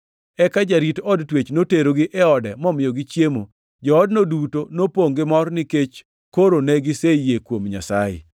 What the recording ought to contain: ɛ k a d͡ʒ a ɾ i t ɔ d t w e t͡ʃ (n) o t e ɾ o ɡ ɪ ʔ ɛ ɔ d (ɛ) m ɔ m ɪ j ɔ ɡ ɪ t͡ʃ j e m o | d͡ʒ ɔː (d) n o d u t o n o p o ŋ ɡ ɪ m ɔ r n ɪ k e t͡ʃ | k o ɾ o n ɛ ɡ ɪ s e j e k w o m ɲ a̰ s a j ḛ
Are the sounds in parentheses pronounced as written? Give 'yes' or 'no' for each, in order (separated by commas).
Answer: yes, yes, yes